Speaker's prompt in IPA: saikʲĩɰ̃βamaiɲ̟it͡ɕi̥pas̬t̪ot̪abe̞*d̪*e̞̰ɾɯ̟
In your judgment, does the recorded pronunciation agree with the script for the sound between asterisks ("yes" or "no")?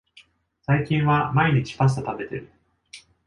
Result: no